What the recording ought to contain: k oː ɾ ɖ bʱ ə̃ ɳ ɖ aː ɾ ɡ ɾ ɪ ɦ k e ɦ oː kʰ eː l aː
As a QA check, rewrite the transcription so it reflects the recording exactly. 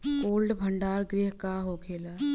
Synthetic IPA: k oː l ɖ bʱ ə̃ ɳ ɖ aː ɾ ɡ ɾ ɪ ɦ k a ɦ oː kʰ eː l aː